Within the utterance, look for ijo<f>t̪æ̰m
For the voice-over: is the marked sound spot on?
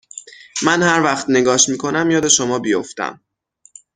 yes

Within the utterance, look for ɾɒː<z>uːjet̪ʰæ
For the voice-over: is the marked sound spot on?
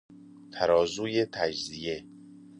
yes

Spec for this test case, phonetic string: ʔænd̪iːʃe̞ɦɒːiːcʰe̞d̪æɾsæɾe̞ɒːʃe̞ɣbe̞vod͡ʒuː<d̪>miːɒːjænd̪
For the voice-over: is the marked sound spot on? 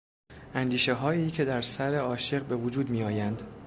yes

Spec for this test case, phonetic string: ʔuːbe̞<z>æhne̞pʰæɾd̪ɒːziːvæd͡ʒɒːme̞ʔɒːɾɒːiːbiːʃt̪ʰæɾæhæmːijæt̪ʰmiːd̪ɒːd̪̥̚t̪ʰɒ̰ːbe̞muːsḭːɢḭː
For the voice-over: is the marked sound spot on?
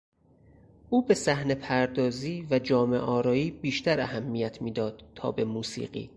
no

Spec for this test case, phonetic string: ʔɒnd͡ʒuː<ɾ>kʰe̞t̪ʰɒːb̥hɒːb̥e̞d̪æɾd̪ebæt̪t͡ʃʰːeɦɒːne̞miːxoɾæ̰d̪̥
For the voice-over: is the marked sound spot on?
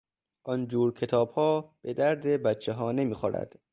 yes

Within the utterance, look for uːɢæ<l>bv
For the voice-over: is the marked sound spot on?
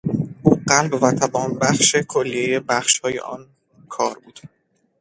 yes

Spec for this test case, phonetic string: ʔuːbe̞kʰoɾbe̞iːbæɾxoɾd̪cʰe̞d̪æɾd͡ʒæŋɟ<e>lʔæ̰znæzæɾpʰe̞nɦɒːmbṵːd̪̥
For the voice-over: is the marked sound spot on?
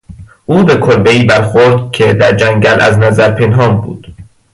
no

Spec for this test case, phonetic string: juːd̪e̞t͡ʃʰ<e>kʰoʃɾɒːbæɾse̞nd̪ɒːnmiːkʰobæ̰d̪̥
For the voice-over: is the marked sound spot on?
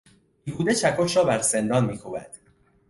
no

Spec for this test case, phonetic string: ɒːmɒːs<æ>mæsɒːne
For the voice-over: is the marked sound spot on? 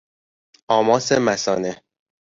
no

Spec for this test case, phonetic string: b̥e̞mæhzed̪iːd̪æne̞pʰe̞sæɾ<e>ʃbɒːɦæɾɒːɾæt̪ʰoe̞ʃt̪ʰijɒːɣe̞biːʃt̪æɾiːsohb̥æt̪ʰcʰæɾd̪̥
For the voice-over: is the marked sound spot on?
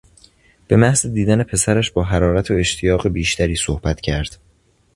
no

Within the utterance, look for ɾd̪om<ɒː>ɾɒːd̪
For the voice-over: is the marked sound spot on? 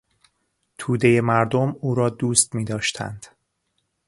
no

